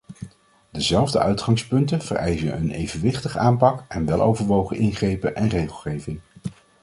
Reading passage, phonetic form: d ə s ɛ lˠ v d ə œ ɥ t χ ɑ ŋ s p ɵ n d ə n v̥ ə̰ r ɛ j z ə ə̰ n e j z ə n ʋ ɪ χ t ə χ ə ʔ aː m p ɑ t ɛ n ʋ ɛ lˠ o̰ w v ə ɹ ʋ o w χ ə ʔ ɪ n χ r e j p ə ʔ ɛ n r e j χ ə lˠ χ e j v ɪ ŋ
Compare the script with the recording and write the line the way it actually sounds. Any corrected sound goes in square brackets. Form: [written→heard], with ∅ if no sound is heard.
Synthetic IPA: d ə [s→z] ɛ lˠ v d ə œ ɥ t χ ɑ ŋ s p ɵ n [d→t] ə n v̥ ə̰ r ɛ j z ə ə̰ n e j [z→v] ə n ʋ ɪ χ t ə χ ə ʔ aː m p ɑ [t→k] ɛ n ʋ ɛ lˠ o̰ w v ə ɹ ʋ o w χ ə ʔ ɪ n χ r e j p ə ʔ ɛ n r e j χ ə lˠ χ e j v ɪ ŋ